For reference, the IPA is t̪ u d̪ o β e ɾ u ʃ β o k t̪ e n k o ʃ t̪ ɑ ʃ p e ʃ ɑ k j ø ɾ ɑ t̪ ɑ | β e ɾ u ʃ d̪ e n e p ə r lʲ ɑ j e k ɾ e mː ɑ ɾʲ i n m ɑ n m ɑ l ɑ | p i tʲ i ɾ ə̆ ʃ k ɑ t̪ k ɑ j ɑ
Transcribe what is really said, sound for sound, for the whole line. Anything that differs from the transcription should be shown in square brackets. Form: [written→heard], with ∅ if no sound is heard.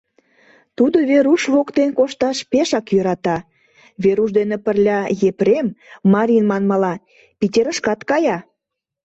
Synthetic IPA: t̪ u d̪ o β e ɾ u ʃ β o k t̪ e n k o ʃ t̪ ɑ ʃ p e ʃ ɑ k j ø ɾ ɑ t̪ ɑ | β e ɾ u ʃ d̪ e n e p ə r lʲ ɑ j e [k→p] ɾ e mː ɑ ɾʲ i n m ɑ n m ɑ l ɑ | p i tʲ [i→e] ɾ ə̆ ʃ k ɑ t̪ k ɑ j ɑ